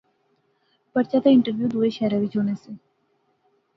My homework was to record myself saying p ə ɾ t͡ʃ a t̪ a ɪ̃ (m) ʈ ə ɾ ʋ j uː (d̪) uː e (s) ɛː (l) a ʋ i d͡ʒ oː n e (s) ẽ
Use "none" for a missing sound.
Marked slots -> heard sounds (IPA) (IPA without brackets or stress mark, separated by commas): ɳ, d̪, ʃ, ɾ, s